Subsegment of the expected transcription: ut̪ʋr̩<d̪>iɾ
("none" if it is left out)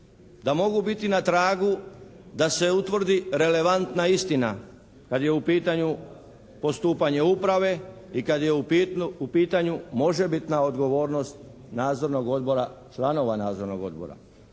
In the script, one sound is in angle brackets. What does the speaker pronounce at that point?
d̪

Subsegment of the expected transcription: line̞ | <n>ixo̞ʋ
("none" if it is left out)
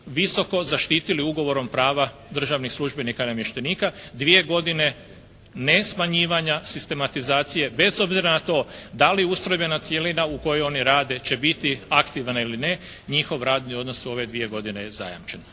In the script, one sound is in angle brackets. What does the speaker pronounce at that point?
ɲ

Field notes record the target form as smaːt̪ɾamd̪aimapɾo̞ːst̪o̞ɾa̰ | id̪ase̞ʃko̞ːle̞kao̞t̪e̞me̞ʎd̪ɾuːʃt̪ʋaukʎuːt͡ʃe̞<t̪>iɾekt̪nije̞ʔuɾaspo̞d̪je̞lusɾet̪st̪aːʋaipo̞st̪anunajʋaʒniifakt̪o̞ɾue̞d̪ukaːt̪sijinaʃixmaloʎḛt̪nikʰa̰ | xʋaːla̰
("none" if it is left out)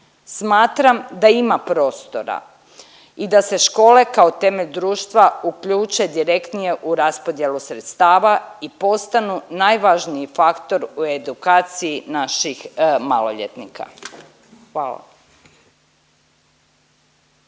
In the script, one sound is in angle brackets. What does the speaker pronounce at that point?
d̪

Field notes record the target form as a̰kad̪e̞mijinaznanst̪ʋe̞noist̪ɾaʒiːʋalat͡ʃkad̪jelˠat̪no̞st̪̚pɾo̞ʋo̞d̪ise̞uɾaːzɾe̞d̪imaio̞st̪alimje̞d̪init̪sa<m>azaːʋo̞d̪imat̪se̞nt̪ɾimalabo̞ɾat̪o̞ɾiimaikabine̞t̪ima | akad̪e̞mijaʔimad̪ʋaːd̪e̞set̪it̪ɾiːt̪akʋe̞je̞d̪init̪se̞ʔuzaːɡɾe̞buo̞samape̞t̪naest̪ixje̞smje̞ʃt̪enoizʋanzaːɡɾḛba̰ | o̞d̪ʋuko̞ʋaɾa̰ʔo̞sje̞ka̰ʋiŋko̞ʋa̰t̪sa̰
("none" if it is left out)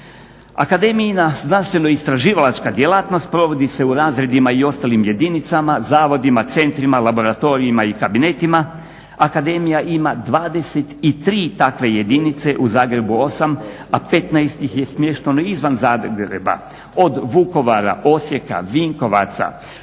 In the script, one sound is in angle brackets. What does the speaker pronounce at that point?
m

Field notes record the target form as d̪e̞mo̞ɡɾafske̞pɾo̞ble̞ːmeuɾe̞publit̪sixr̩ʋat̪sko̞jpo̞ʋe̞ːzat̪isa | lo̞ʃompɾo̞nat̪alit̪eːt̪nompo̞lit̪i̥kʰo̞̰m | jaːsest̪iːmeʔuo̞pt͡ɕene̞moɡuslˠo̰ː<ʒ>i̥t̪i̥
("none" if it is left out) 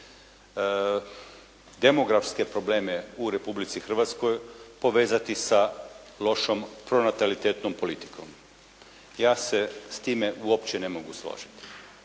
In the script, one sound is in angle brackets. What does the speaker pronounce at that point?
ʒ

